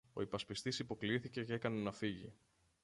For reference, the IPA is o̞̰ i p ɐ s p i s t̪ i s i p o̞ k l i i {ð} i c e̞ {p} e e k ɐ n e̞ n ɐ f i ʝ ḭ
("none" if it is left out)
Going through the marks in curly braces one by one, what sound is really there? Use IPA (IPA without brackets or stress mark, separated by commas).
θ, c